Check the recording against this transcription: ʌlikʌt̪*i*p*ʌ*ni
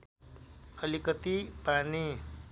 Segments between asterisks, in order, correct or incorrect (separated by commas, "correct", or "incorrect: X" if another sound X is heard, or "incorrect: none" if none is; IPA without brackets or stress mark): correct, incorrect: a